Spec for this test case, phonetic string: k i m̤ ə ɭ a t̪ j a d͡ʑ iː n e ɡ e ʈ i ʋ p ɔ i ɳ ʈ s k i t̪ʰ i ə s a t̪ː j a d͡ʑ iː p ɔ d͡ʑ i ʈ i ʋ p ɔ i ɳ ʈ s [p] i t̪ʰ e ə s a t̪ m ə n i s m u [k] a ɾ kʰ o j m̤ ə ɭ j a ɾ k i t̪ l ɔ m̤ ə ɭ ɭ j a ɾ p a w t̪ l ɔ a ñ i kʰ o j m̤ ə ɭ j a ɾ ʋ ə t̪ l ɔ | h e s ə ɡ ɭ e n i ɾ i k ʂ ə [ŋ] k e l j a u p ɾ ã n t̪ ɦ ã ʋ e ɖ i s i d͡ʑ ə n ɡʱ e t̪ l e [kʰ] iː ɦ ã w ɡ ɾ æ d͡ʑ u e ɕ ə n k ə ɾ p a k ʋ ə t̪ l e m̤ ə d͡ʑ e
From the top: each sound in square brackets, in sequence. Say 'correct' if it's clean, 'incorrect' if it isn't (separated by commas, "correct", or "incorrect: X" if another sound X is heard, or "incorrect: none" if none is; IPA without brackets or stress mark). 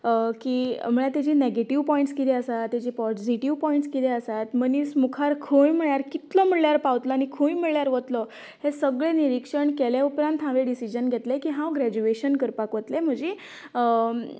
incorrect: k, incorrect: kʰ, incorrect: ɳ, incorrect: k